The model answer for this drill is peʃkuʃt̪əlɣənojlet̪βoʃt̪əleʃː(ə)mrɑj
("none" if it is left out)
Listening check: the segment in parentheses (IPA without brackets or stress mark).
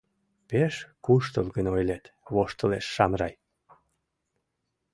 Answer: ɑ